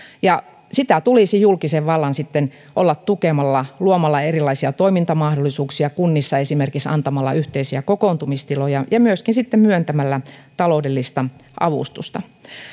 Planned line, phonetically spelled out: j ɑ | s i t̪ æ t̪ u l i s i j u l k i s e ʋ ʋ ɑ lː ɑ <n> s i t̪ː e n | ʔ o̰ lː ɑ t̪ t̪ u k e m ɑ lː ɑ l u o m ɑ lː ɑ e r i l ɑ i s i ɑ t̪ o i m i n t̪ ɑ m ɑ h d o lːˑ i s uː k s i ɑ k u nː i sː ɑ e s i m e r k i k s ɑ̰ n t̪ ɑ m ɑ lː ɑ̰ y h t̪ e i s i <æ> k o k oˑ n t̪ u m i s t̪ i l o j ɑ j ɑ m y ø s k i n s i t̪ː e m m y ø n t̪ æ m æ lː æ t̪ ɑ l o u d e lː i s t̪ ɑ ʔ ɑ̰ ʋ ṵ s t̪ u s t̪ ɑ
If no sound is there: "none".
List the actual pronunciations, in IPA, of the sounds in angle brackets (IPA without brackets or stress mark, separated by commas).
n, æ